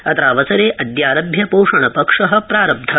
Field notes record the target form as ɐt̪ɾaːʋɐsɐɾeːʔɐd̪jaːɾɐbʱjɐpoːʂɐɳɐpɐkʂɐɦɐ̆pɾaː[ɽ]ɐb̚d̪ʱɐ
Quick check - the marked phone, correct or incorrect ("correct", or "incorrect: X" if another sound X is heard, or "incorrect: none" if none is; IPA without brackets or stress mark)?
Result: incorrect: ɾ